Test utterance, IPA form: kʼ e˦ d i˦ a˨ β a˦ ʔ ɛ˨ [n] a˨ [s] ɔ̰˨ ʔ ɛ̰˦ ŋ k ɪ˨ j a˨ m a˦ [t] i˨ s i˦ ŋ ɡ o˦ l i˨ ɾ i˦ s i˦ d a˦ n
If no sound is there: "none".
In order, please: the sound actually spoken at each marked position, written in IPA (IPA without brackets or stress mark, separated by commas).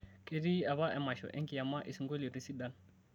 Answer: m, ʃ, ʔ